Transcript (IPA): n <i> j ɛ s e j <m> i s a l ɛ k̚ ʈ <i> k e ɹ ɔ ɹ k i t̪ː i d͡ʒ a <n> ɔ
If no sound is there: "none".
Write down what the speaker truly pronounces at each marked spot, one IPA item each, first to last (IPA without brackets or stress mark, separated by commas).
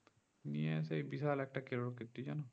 i, b, a, n